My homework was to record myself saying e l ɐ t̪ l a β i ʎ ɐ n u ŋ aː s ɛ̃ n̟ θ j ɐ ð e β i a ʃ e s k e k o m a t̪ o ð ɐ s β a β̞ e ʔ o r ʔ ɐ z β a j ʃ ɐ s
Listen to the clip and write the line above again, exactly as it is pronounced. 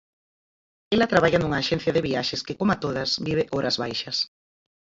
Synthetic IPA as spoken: e l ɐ t̪ ɾ a β a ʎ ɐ n u ŋ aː ʃ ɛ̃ n̟ θ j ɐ ð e β i a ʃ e s k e k o m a t̪ o ð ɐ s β i β̞ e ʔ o ɾ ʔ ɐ z β a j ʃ ɐ s